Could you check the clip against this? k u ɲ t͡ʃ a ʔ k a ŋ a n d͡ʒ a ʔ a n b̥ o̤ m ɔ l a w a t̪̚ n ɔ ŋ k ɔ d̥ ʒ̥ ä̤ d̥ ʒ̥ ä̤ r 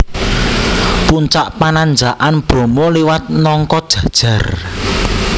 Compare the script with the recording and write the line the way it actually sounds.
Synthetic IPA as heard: p u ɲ t͡ʃ a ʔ p a n a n d͡ʒ a ʔ a n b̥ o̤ m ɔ l i w a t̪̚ n ɔ ŋ k ɔ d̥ ʒ̥ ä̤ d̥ ʒ̥ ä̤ r